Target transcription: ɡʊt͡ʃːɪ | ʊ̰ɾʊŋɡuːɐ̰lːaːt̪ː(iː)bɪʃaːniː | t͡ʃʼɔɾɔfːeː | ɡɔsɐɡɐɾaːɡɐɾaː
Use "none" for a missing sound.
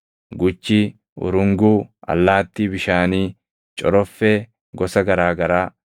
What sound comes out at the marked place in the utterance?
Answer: iː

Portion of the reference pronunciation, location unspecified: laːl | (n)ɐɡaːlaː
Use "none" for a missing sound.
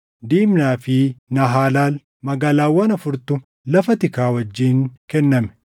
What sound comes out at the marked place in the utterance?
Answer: m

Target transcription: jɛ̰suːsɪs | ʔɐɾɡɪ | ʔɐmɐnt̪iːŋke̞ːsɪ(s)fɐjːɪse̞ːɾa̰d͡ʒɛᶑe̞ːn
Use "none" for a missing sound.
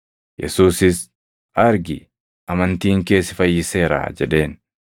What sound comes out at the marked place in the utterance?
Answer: none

